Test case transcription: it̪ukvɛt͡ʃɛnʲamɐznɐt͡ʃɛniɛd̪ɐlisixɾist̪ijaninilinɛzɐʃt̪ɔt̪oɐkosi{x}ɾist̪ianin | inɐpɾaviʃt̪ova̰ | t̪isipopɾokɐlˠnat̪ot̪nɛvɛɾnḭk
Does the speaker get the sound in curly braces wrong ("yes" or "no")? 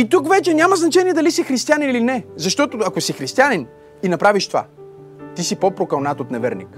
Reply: no